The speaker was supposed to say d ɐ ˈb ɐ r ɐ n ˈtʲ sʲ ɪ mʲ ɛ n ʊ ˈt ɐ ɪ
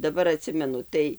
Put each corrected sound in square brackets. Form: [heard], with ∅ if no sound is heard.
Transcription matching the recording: d ɐ ˈb ɐ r ɐ [∅] ˈtʲ sʲ ɪ mʲ ɛ n ʊ ˈt ɐ ɪ